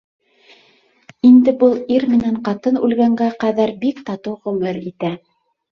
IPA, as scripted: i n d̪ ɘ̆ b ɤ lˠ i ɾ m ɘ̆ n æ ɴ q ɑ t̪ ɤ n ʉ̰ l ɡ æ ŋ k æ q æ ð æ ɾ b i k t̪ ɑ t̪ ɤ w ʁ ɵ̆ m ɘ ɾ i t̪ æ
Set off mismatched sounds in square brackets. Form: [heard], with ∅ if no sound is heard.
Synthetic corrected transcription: i n d̪ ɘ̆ b ɤ lˠ i ɾ m ɘ̆ n æ ɴ q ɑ t̪ ɤ n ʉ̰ l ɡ æ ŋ [ɡ] æ q æ ð æ ɾ b i k t̪ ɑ t̪ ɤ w ʁ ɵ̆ m ɘ ɾ i t̪ æ